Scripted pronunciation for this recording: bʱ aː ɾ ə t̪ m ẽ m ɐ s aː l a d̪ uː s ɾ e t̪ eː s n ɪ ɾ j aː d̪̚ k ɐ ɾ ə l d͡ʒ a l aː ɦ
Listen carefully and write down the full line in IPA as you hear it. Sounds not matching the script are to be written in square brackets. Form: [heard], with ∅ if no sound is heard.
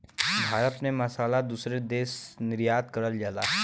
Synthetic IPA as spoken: bʱ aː ɾ ə t̪ m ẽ m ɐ s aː l a d̪ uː s ɾ e [d̪] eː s n ɪ ɾ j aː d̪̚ k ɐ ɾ ə l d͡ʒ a l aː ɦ